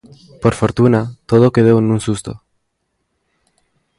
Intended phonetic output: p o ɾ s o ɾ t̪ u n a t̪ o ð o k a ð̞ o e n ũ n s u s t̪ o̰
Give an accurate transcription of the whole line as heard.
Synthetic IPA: p o ɾ f o ɾ t̪ u n a t̪ o ð o k e ð̞ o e n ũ n s u s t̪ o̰

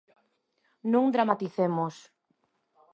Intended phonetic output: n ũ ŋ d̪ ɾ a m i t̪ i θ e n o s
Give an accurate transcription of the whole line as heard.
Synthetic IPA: n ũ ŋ d̪ ɾ a m a t̪ i θ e m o s

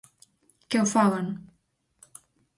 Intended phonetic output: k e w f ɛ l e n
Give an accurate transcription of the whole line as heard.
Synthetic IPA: k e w f a l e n

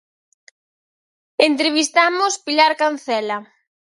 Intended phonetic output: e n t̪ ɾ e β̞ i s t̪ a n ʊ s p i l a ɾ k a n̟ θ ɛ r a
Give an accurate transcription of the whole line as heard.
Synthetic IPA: e n t̪ ɾ e β̞ i s t̪ a m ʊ s p i l a ɾ k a n̟ θ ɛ l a

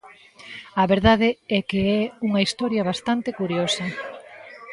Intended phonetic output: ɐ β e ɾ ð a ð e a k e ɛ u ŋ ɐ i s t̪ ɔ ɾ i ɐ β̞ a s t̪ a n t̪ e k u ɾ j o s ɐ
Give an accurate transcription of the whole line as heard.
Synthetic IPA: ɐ β e ɾ ð a ð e ɛ k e ɛ u ŋ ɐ i s t̪ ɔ ɾ j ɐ β̞ a s t̪ a n t̪ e k u ɾ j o s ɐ

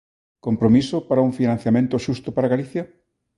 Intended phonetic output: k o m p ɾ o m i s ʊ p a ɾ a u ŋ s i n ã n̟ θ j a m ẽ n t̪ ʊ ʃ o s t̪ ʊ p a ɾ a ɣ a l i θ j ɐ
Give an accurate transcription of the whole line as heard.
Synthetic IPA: k o m p ɾ o m i s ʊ p a ɾ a u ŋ f i n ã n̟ θ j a m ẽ n t̪ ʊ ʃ u s t̪ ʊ p a ɾ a ɣ a l i θ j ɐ

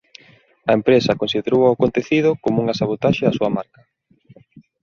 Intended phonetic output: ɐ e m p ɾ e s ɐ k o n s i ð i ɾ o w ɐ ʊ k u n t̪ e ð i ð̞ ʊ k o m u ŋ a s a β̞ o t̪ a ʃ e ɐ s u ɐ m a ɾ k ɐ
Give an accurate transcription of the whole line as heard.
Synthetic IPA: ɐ e m p ɾ e s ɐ k o n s i ð e ɾ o w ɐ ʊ k o n t̪ e θ i ð̞ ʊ k o m u ŋ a s a β̞ o t̪ a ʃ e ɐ s u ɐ m a ɾ k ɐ

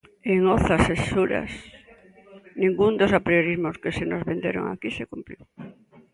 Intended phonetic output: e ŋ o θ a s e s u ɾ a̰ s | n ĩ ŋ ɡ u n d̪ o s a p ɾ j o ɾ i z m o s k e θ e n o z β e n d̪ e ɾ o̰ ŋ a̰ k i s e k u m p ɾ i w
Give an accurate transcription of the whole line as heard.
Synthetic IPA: e ŋ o θ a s e s u ɾ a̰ s | n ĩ ŋ ɡ u n d̪ o s a p ɾ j o ɾ i z m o s k e s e n o z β e n d̪ e ɾ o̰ ŋ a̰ k i s e k u m p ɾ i w

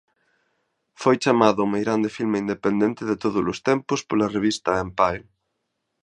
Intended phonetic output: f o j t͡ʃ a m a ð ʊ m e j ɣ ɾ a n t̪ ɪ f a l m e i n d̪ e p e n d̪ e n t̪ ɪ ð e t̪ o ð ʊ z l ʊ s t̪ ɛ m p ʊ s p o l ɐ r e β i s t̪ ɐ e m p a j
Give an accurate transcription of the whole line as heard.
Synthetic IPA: f o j t͡ʃ a m a ð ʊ m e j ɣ ɾ a n d̪ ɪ f i l m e i n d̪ e p e n d̪ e n t̪ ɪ ð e t̪ o ð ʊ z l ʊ s t̪ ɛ m p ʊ s p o l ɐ r e β i s t̪ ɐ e m p a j

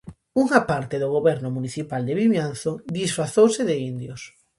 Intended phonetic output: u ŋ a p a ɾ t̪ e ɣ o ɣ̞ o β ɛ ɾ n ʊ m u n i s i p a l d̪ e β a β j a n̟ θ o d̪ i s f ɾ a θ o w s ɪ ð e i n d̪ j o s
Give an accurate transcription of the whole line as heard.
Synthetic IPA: u ŋ a p a ɾ t̪ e ð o ɣ̞ o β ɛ ɾ n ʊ m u n i θ i p a l d̪ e β i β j a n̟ θ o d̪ i s f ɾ a θ o w s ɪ ð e i n d̪ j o s

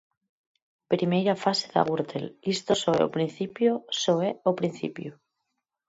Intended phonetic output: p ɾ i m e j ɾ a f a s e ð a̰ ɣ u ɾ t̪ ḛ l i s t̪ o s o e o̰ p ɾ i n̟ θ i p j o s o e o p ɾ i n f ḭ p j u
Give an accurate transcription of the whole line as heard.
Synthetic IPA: p ɾ i m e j ɾ a f a s e ð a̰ ɣ u ɾ t̪ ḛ l i s t̪ o s o e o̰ p ɾ i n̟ θ i p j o s o e o p ɾ i n θ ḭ p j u

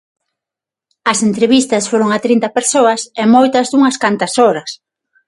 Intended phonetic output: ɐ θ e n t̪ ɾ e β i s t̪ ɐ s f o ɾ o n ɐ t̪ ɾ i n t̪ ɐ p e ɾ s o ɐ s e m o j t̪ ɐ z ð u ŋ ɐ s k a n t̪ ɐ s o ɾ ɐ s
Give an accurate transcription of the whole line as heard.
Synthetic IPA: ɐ s e n t̪ ɾ e β i s t̪ ɐ s f o ɾ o ŋ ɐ t̪ ɾ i n t̪ ɐ p e ɾ s o ɐ s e m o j t̪ ɐ z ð u ŋ ɐ s k a n t̪ ɐ s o ɾ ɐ s

